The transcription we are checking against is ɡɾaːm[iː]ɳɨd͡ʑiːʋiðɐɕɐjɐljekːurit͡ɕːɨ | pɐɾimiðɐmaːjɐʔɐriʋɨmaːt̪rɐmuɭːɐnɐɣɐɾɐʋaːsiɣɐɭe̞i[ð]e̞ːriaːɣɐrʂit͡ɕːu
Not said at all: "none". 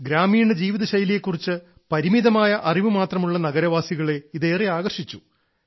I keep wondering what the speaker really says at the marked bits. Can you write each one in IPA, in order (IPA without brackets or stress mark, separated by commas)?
iː, ð